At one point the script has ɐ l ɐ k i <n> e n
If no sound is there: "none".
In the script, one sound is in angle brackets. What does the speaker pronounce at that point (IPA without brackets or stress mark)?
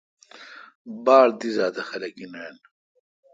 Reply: n